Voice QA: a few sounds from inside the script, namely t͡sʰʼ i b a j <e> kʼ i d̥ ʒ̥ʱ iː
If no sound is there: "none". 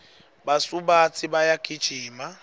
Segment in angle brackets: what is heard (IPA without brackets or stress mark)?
a